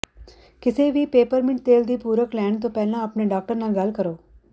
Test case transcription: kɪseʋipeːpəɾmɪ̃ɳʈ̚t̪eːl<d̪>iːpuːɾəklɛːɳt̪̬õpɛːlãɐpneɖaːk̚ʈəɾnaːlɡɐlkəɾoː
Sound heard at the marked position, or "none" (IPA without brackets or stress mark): d̪